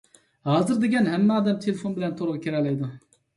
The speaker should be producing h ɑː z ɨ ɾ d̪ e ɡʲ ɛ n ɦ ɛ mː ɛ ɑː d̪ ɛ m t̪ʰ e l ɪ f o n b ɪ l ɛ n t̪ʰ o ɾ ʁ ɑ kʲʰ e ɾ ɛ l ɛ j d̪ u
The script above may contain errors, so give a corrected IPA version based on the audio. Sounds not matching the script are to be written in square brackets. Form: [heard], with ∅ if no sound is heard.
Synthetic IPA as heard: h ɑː z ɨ ɾ d̪ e ɡʲ ɛ n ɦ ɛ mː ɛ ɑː d̪ ɛ m t̪ʰ e l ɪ f o n b ɪ l ɛ n t̪ʰ o ɾ ʁ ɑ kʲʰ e ɾ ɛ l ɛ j d̪ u